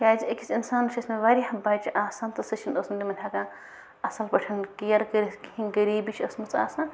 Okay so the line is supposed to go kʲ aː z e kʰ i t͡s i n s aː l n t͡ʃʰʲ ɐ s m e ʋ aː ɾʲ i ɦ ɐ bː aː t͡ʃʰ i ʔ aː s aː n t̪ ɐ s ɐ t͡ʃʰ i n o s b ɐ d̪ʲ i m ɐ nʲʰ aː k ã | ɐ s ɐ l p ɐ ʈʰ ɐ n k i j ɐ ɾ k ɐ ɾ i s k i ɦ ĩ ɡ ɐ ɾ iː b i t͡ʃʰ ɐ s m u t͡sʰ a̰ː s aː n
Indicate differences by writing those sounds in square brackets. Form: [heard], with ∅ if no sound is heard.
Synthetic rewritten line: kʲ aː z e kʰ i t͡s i n s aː [∅] n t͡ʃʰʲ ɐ s m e ʋ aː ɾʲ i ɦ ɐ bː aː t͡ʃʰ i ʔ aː s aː n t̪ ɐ s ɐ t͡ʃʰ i n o s [m] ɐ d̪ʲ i m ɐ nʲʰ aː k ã | ɐ s ɐ l p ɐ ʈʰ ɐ n k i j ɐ ɾ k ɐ ɾ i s k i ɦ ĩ ɡ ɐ ɾ iː b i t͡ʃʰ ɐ s m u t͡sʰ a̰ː s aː n